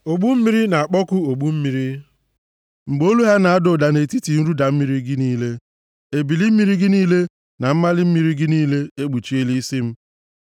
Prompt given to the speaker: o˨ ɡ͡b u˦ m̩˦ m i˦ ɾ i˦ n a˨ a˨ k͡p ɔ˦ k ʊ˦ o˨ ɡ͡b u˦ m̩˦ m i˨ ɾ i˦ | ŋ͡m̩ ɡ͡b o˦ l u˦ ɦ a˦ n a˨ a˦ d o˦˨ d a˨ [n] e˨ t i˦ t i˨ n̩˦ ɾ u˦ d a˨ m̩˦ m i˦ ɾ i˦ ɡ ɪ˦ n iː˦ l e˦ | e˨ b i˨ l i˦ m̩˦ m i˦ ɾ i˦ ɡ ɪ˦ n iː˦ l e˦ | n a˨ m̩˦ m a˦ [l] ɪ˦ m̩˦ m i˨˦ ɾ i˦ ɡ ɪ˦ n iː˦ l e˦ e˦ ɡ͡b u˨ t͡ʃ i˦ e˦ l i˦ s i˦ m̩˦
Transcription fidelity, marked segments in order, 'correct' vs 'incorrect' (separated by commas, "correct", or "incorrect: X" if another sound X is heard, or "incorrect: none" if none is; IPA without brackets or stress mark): correct, correct